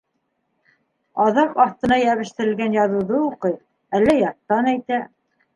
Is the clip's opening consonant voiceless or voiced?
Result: voiced